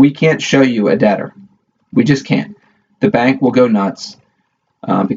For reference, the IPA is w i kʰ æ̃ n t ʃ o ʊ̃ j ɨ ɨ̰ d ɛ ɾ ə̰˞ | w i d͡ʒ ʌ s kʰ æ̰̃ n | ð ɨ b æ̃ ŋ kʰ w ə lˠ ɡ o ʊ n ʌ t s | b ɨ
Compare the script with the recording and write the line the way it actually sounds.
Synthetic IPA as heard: w i kʰ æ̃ n t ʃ o ʊ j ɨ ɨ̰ d ɛ ɾ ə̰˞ | w i d͡ʒ ʌ s kʰ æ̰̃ n | ð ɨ b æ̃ ŋ k w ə lˠ ɡ o ʊ n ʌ t s | b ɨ